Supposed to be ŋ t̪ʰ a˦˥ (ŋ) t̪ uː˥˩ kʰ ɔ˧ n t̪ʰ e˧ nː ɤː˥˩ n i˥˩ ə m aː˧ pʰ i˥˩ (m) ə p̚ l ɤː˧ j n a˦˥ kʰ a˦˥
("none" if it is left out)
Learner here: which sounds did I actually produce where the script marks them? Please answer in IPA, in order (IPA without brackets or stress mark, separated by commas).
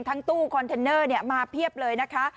ŋ, none